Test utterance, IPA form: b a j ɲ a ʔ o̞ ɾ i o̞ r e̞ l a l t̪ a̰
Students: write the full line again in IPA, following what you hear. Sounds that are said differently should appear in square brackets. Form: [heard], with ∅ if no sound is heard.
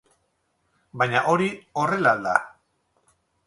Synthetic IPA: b a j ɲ a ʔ o̞ ɾ i o̞ r e̞ l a l [d̪] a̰